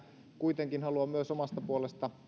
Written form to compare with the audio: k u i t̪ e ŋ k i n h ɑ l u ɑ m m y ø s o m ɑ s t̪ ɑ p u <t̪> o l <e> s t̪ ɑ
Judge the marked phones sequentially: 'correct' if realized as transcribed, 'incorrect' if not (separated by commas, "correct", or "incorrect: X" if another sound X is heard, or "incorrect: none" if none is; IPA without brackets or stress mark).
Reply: incorrect: none, correct